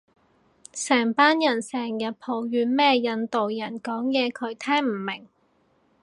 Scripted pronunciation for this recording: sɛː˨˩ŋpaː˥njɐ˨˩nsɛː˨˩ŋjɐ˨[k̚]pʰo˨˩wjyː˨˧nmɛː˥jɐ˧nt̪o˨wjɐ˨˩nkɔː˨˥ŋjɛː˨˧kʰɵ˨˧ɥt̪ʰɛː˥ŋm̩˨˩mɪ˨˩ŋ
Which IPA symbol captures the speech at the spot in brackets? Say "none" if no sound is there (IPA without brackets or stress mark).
t̚